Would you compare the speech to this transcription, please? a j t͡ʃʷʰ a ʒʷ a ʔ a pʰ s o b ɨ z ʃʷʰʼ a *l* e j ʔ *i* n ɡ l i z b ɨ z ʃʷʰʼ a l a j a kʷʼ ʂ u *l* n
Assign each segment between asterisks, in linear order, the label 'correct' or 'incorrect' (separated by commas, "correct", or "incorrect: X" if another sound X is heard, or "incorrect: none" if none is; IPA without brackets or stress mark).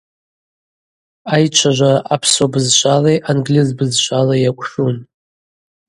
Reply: correct, incorrect: a, incorrect: none